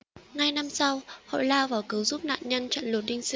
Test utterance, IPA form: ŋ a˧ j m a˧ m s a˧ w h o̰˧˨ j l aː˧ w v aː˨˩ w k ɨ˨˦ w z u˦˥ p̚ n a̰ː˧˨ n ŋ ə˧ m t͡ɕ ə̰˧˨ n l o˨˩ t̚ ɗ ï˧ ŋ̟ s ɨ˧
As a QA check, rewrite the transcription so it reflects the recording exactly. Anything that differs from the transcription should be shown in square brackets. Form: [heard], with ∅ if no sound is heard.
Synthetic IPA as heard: ŋ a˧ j [n] a˧ m s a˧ w h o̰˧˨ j l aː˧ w v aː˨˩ w k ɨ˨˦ w z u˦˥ p̚ n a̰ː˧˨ n [ɲ] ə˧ [n] t͡ɕ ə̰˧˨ n l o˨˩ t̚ ɗ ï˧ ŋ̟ s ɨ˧

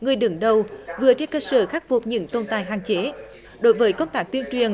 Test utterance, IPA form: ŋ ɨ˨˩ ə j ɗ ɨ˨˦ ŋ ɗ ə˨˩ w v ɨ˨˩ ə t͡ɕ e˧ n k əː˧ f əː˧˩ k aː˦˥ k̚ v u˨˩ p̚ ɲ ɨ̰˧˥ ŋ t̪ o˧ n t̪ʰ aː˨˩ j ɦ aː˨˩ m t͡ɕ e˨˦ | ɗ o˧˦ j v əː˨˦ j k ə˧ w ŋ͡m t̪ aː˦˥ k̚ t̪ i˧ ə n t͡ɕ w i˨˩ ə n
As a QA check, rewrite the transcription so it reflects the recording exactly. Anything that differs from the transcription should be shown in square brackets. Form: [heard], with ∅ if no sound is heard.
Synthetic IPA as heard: ŋ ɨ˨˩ ə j ɗ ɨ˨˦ ŋ ɗ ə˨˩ w v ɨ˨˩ ə t͡ɕ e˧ n k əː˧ [s] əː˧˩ [x] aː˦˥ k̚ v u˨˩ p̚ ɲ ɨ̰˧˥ ŋ t̪ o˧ n [t̪] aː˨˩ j ɦ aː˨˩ [ŋ] t͡ɕ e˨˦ | ɗ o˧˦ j v əː˨˦ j k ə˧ w ŋ͡m t̪ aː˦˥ k̚ t̪ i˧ ə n t͡ɕ w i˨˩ ə n

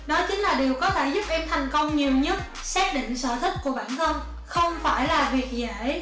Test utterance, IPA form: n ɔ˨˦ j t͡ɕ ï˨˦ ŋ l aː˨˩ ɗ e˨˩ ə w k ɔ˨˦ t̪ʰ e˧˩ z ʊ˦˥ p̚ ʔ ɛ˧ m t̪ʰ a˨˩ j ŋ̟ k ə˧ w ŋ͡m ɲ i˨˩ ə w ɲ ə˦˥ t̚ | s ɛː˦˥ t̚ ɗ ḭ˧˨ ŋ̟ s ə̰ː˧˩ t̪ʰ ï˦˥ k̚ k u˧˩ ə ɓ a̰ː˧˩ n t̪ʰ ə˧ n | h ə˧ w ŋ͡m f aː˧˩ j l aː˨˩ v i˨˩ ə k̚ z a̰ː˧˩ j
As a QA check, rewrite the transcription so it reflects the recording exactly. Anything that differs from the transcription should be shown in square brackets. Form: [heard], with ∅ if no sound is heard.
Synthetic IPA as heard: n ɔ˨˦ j t͡ɕ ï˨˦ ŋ l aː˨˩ ɗ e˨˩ ə w k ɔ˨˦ t̪ʰ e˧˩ z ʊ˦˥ p̚ ʔ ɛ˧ m t̪ʰ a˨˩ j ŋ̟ k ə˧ w ŋ͡m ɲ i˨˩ ə w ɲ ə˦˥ t̚ | s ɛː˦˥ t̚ ɗ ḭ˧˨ ŋ̟ s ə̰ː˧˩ t̪ʰ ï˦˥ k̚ k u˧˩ ə ɓ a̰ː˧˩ n t̪ʰ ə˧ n | [x] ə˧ w ŋ͡m f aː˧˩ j l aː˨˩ v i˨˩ ə k̚ z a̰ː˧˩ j

